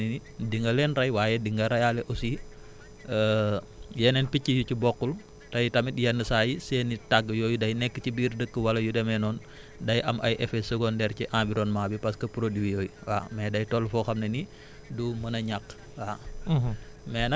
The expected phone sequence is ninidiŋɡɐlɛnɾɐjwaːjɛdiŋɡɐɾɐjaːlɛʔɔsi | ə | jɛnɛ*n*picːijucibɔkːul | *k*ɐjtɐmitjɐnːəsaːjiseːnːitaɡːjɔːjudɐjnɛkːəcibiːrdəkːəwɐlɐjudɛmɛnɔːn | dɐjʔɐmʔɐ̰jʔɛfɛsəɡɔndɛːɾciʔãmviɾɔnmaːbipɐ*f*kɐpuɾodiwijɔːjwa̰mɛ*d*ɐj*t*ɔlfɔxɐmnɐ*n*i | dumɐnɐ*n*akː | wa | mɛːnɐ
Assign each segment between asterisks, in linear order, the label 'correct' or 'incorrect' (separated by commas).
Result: correct, incorrect, incorrect, correct, correct, correct, incorrect